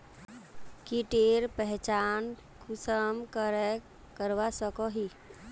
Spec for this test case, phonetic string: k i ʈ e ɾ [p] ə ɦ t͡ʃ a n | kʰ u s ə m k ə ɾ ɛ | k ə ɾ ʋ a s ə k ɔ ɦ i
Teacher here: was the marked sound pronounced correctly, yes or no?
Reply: yes